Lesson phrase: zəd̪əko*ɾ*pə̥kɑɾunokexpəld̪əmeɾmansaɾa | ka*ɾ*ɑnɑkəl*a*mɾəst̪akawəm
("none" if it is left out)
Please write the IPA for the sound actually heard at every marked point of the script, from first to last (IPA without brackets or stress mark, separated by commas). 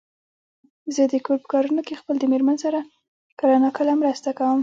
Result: ɾ, ɾ, a